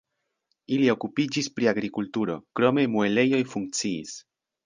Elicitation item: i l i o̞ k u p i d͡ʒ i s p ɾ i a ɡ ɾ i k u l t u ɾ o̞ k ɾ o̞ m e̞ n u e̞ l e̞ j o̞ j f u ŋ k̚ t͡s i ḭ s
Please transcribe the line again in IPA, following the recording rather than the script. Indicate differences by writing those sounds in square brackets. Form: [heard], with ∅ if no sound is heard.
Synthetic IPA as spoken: i l i o̞ k u p i d͡ʒ i s p ɾ i a ɡ ɾ i k u l t u ɾ o̞ k ɾ o̞ m e̞ [m] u e̞ l e̞ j o̞ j f u ŋ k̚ t͡s i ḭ s